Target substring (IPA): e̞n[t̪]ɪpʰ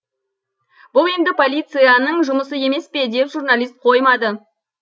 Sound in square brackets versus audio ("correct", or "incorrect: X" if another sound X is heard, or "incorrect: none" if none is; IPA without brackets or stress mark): incorrect: d̪